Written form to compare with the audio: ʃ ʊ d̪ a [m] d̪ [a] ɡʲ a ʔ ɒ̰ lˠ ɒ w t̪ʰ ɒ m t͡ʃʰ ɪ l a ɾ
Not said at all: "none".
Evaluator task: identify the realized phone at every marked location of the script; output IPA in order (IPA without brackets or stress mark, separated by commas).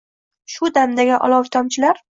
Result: m, a